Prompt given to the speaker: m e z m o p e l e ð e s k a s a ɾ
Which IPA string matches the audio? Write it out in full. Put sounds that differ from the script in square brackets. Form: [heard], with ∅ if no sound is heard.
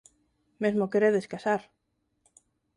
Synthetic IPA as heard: m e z m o [k] e [ɾ] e ð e s k a s a ɾ